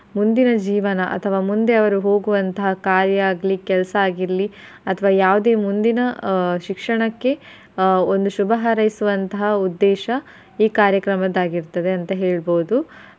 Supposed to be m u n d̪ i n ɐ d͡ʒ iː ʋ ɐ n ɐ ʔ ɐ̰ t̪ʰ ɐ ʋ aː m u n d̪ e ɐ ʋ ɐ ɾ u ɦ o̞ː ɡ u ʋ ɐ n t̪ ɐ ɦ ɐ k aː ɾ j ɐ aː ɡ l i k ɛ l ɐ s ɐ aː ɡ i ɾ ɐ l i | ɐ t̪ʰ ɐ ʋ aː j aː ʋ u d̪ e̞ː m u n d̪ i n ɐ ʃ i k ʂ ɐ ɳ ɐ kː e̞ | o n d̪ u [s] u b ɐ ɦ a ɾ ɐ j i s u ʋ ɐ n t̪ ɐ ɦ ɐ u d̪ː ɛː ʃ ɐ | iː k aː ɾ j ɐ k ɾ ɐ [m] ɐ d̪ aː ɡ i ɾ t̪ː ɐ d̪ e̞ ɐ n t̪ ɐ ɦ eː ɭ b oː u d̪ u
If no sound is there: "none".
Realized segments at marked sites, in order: ʃ, m

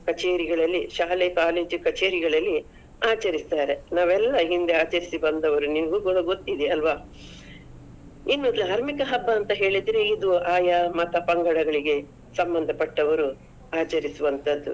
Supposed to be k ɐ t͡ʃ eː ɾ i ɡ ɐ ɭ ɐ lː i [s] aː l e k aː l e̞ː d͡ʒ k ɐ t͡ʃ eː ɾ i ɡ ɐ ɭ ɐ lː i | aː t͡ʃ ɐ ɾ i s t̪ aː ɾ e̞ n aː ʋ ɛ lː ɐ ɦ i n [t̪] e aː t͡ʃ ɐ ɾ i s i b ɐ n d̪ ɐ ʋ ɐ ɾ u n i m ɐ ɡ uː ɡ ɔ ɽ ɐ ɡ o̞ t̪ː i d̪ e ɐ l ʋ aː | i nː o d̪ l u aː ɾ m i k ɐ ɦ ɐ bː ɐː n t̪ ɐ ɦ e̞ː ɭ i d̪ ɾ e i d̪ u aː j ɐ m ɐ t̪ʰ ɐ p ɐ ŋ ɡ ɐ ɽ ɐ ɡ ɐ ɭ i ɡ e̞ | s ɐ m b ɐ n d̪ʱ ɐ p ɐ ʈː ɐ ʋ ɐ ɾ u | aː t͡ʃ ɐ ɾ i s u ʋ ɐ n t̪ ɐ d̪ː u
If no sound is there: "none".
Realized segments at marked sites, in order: ʃ, d̪

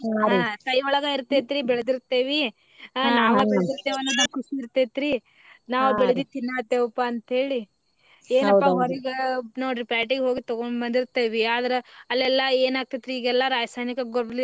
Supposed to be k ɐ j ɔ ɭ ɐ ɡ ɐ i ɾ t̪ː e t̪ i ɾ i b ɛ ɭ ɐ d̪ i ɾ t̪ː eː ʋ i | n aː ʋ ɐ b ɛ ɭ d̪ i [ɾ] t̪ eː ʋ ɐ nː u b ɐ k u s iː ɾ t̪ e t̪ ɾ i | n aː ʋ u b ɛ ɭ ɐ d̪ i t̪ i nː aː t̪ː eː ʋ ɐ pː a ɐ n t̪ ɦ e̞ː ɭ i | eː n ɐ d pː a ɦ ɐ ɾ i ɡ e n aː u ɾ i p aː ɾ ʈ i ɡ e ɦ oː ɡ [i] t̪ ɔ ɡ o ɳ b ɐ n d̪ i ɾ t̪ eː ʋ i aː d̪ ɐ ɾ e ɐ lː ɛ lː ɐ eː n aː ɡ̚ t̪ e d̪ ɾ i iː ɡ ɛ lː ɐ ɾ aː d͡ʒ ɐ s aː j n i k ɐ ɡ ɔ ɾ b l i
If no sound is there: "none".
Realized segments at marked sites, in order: ɾ, i

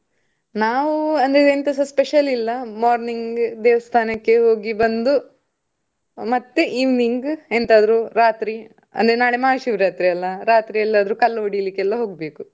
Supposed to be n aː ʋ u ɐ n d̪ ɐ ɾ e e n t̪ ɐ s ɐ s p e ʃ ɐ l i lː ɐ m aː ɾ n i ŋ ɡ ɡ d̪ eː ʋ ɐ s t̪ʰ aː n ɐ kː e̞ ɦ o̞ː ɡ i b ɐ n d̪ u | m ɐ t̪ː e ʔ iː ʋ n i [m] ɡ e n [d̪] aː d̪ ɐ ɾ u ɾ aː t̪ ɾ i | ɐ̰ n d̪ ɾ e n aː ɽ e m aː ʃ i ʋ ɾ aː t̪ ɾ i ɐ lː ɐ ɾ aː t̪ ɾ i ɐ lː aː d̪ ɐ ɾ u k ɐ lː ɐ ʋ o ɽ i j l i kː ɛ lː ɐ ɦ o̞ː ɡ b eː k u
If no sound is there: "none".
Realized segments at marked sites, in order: ŋ, t̪

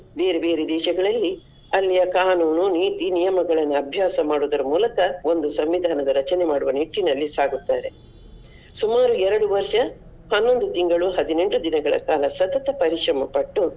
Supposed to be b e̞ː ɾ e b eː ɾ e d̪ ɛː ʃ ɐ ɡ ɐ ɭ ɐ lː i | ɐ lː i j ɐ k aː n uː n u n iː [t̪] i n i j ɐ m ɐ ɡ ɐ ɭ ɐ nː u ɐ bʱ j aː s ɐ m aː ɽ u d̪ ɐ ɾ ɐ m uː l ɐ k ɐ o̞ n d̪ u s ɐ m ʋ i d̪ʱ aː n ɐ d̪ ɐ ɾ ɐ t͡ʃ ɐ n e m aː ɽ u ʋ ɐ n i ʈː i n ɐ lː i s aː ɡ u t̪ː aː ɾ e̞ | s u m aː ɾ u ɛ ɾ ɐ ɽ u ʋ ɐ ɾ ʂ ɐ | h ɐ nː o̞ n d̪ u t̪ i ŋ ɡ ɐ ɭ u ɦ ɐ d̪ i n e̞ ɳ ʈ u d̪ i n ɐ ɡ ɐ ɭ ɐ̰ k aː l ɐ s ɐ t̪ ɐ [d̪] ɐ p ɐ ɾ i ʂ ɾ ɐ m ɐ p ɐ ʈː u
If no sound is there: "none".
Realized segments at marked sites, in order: t̪, t̪

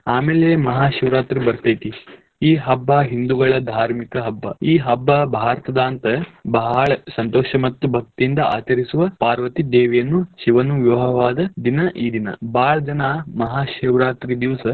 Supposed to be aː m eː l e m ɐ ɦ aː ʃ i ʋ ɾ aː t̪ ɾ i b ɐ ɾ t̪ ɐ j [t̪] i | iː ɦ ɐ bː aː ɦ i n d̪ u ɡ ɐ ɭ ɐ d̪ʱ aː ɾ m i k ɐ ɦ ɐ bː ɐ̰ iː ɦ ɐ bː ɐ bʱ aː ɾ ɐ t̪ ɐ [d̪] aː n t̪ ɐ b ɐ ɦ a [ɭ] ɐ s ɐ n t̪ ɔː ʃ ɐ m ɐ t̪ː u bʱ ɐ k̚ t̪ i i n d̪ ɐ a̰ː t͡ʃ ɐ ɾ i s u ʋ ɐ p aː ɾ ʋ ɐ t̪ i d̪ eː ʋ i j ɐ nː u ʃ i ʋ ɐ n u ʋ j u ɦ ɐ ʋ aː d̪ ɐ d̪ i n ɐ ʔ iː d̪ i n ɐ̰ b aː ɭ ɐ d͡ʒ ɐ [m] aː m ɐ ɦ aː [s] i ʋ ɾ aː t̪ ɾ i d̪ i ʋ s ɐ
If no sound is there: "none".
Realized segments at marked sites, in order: t̪, d̪, ɭ, n, ʃ

